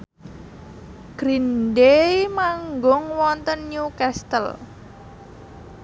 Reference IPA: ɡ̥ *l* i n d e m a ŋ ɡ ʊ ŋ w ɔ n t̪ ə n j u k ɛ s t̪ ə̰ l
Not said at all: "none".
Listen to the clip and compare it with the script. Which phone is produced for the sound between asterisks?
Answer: ɾ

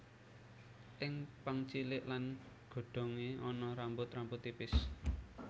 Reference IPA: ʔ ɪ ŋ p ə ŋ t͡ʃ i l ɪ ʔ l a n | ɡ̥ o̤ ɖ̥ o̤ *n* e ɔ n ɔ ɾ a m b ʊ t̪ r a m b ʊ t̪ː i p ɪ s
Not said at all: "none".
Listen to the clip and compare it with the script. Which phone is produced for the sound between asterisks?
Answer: ŋ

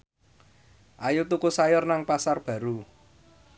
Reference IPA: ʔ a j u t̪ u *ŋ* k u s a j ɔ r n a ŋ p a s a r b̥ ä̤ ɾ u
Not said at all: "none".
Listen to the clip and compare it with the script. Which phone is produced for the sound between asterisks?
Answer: none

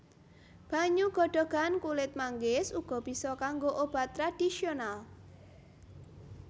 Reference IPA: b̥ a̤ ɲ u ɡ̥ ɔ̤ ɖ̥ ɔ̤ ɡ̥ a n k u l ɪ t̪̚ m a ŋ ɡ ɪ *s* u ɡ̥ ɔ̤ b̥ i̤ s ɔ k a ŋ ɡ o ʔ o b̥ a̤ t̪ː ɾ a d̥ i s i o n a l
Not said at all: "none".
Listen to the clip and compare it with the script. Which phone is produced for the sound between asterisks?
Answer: s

